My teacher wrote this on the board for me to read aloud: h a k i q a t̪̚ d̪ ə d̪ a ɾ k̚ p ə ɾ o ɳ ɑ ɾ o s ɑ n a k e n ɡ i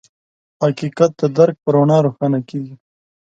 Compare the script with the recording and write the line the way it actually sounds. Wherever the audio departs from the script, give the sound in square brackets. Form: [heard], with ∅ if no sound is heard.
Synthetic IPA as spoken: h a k i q a t̪̚ d̪ ə d̪ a ɾ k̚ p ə ɾ o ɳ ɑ ɾ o [x] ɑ n a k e [∅] ɡ i